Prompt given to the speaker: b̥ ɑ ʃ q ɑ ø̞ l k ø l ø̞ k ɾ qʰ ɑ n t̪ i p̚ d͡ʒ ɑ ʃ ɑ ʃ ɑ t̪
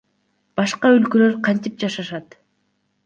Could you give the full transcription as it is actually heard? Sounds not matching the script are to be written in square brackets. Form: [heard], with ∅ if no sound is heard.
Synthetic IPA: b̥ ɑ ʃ q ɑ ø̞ l k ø l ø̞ [∅] ɾ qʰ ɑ n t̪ i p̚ d͡ʒ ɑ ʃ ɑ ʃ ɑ t̪